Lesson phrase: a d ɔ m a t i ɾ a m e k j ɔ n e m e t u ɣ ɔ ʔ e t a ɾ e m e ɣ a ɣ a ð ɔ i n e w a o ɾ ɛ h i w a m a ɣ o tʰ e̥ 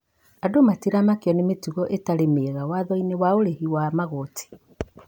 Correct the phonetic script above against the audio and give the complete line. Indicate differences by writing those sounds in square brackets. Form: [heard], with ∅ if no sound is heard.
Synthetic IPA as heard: a d [o] m a t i ɾ a m [a] k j ɔ n e m e t u ɣ ɔ ʔ e t a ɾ e m e ɣ a [w] a ð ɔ i n e w a o ɾ [e] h i w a m a ɣ o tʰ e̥